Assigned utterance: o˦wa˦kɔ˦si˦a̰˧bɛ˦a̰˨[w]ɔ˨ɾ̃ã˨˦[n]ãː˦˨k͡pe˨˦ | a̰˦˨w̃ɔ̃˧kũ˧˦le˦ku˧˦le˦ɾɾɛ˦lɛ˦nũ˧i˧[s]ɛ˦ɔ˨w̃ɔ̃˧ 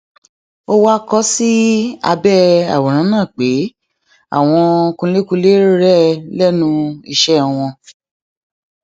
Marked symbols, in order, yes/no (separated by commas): yes, yes, no